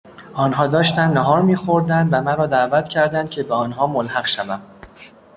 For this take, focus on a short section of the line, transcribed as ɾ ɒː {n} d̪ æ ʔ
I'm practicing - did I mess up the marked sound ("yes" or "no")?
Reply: yes